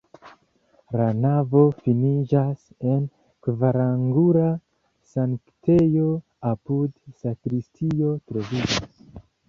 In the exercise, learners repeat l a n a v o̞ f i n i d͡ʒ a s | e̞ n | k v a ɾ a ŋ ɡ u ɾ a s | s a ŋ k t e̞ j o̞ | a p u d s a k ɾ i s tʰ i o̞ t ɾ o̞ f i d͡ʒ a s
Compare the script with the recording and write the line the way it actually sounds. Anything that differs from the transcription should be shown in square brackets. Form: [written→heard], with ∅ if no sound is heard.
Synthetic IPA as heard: l a n a v o̞ f i n i d͡ʒ a s | e̞ n | k v a ɾ a ŋ ɡ u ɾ a [s→∅] | s a ŋ k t e̞ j o̞ | a p u d s a k ɾ i s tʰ i o̞ t ɾ o̞ [f→v] i d͡ʒ a s